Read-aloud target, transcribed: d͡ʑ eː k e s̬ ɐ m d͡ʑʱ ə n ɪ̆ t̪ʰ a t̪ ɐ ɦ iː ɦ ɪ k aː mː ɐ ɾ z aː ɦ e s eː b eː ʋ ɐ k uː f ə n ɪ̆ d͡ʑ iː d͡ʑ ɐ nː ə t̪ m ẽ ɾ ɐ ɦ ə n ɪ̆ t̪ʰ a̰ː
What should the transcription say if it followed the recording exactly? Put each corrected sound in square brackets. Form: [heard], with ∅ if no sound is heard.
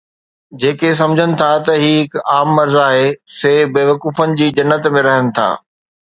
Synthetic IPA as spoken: d͡ʑ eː k e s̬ ɐ m d͡ʑʱ ə n ɪ̆ t̪ʰ a t̪ ɐ ɦ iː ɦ ɪ k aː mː ɐ ɾ z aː ɦ e s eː b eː ʋ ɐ k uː f ə n ɪ̆ d͡ʑ iː d͡ʑ ɐ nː ə t̪ m ẽ ɾ ɐ ɦ ə n ɪ̆ t̪ʰ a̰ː